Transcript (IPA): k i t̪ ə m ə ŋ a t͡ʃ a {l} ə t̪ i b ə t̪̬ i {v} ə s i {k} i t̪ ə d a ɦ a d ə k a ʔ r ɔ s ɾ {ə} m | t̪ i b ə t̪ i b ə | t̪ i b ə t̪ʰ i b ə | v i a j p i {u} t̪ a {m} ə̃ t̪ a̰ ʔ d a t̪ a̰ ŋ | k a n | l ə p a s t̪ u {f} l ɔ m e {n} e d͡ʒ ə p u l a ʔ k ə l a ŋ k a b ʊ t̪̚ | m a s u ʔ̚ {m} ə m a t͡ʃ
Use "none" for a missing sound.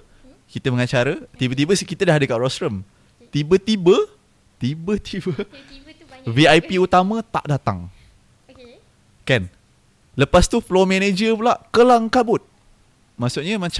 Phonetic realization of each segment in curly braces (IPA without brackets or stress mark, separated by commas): ɾ, b, k, ə, u, m, f, n, ɲ